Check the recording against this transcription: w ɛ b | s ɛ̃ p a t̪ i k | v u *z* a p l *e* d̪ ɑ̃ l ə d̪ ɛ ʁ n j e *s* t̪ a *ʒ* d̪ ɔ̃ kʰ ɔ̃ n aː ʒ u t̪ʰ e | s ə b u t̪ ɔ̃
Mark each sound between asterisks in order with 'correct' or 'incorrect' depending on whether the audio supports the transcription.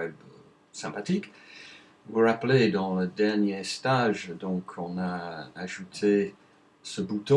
incorrect: ʁ, correct, correct, correct

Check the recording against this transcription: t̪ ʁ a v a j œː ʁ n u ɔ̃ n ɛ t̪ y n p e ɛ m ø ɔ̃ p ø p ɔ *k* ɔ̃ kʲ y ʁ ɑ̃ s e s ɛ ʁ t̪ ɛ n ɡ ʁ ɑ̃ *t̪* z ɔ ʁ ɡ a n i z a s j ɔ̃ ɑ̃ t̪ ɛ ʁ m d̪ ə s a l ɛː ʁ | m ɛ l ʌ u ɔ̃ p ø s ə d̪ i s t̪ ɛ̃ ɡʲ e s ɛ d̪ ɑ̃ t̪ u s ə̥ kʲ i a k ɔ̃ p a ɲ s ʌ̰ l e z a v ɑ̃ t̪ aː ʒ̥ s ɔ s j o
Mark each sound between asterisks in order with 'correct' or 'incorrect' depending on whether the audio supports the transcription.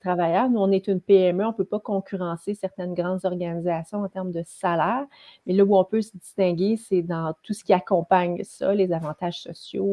correct, incorrect: d̪

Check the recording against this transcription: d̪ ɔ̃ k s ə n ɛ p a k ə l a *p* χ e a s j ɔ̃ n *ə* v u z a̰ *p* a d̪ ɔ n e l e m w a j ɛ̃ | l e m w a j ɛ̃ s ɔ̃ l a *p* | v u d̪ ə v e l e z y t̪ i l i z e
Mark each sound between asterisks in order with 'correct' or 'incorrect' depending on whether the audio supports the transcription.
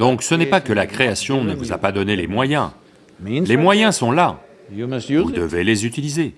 incorrect: k, correct, correct, incorrect: none

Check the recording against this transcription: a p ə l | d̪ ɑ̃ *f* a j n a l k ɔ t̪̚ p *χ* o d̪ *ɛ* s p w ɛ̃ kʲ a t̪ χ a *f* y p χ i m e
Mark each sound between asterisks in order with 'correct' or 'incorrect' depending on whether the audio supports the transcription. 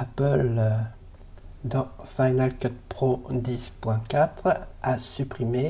correct, correct, incorrect: i, incorrect: s

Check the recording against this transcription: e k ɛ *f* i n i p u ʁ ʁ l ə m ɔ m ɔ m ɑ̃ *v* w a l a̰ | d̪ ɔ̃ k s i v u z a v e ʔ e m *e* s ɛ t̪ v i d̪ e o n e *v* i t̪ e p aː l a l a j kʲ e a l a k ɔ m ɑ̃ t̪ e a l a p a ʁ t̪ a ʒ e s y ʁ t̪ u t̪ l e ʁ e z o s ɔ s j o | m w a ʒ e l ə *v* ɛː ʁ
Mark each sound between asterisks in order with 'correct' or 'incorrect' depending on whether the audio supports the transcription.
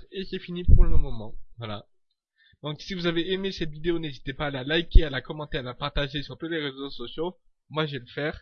correct, correct, correct, incorrect: z, incorrect: f

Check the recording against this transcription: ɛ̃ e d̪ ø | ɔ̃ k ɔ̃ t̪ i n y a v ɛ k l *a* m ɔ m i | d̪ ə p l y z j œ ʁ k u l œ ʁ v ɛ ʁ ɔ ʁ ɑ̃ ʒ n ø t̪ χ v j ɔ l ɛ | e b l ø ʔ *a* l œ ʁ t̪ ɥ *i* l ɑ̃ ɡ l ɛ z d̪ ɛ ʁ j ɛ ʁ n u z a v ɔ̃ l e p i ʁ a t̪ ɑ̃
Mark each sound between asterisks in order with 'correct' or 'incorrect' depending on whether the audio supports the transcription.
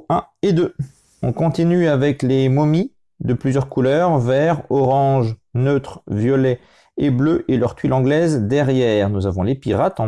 incorrect: e, incorrect: e, correct

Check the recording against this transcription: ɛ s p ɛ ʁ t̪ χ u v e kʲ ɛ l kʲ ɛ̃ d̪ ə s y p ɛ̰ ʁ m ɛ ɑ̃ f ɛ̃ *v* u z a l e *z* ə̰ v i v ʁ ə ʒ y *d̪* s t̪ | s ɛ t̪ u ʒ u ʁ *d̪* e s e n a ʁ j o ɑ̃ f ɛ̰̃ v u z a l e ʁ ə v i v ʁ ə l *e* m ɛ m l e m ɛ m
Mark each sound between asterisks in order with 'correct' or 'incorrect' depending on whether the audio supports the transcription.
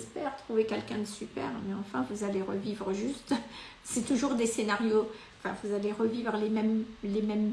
correct, incorrect: ʁ, incorrect: none, correct, correct

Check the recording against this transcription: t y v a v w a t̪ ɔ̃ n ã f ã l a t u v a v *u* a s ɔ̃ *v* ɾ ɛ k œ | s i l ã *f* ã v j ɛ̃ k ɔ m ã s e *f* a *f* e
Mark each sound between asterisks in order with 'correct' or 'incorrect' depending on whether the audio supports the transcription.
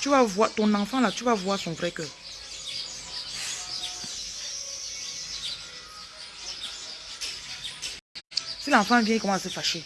incorrect: w, correct, correct, correct, incorrect: ʃ

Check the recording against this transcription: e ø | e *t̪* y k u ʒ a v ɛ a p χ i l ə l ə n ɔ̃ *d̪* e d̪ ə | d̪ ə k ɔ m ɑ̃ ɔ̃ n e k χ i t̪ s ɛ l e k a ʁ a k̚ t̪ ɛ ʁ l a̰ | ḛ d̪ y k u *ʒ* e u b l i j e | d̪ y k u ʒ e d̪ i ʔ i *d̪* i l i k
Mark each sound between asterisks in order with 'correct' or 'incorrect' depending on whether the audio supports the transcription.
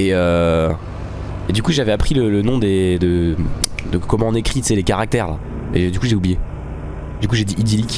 incorrect: d̪, correct, correct, correct

